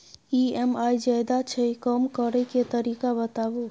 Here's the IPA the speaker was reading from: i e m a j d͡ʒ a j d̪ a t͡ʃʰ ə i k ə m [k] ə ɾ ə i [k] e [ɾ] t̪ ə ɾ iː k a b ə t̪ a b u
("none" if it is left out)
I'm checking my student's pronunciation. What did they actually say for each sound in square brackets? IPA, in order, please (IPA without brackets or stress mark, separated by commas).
k, k, none